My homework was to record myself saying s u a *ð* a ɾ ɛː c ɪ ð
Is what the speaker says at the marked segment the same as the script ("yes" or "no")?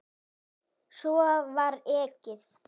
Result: no